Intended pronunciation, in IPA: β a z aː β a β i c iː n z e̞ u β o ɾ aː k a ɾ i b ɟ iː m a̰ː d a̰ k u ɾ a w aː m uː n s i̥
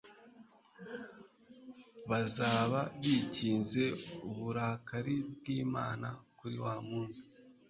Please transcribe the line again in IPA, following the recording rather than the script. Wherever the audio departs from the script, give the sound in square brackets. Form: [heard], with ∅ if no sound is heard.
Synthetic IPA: β a z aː β a β i c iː n z e̞ u β [u] ɾ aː k a ɾ i b [ɡ] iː m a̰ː [n] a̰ k u ɾ [i] w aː m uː n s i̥